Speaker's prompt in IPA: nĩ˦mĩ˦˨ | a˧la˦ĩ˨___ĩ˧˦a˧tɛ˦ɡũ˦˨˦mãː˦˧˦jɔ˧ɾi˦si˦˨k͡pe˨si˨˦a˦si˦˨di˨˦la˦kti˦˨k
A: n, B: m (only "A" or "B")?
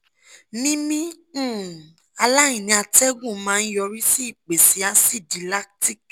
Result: A